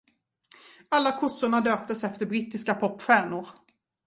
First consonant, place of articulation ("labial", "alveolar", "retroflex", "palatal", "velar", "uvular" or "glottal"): alveolar